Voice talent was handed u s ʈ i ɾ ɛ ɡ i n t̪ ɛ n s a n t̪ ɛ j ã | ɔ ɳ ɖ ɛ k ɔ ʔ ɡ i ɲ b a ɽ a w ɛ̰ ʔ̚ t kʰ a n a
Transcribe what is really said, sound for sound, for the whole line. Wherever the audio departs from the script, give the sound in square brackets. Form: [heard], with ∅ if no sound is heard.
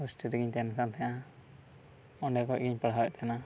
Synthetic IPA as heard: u s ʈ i ɾ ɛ ɡ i [ɲ] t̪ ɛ n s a n t̪ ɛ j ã | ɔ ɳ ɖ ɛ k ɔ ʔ ɡ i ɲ [p] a ɽ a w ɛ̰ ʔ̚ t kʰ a n a